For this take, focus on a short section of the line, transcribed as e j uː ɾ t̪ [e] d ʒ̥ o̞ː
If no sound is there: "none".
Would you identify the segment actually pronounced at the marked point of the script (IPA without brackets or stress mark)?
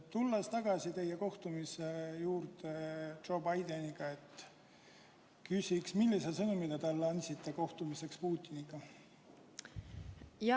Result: e